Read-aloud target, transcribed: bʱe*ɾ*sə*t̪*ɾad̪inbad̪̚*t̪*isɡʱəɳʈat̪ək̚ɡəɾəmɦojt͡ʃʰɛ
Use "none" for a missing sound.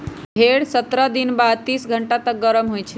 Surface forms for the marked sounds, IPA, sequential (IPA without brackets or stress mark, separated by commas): ɽ, t̪, t̪